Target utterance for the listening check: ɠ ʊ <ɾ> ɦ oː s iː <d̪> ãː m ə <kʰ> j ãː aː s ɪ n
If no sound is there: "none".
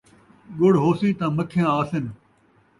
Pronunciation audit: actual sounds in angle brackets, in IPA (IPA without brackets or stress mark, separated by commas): ɽ, t̪, kʰ